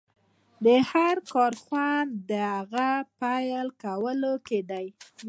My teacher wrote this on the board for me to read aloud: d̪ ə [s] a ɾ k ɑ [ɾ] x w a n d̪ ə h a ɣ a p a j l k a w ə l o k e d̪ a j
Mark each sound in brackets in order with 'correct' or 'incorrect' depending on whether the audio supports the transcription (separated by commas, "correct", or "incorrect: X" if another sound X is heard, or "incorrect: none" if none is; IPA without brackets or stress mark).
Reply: incorrect: h, correct